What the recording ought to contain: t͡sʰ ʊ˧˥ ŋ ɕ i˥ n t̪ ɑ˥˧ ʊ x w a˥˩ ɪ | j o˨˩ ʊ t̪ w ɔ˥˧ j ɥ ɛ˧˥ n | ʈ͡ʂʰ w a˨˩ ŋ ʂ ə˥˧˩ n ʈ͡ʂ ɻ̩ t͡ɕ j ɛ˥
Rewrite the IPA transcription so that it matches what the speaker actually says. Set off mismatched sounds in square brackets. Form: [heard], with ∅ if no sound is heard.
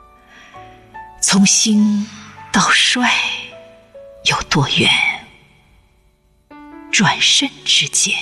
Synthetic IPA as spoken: t͡sʰ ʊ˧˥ ŋ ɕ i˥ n t̪ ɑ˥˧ ʊ [ʂ] w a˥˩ ɪ | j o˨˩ ʊ t̪ w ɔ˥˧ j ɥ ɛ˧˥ n | [ʈ͡ʂ] w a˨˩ [n] ʂ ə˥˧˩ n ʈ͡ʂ ɻ̩ t͡ɕ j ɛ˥